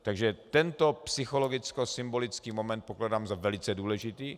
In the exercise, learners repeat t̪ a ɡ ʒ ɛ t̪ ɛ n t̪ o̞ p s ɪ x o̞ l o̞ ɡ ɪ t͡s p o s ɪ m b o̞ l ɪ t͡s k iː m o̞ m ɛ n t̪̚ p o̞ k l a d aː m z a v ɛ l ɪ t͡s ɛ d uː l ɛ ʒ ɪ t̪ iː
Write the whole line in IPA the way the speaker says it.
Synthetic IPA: t̪ a ɡ ʒ ɛ t̪ ɛ n t̪ o̞ p s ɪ x o̞ l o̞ ɡ ɪ t͡s k o s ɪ m b o̞ l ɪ t͡s k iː m o̞ m ɛ n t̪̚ p o̞ k l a d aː m z a v ɛ l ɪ t͡s ɛ d uː l ɛ ʒ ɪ t̪ iː